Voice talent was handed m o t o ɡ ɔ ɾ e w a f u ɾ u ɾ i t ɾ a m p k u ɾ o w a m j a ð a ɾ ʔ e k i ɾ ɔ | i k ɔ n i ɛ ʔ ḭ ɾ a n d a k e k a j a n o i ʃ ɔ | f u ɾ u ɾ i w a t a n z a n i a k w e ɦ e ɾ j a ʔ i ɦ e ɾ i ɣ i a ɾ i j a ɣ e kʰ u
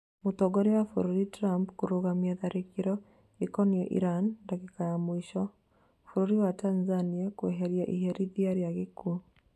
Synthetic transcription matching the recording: m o t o ɡ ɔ ɾ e w a f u ɾ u ɾ i t ɾ a m p k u ɾ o ɣ a m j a ð a ɾ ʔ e k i ɾ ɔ | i k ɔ n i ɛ ʔ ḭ ɾ a n d a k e k a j a m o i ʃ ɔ | f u ɾ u ɾ i w a t a n z a n i a k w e ɦ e ɾ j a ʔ i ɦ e ɾ i ð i a ɾ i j a ɣ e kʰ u